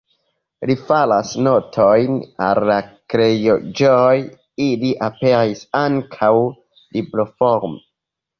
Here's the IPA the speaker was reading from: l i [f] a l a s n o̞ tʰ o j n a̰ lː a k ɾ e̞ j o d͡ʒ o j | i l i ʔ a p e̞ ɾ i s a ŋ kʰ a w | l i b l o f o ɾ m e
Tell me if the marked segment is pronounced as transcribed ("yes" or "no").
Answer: yes